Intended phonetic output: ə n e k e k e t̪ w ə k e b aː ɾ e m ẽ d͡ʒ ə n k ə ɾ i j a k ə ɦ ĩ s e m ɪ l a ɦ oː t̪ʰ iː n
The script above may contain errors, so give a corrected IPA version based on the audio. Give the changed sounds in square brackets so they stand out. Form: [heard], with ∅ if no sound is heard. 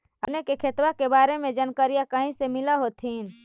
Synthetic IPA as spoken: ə n e k e [kʰ] e t̪ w [a] k e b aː ɾ e m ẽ d͡ʒ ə n k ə ɾ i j a k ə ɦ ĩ s e m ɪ l a ɦ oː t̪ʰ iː n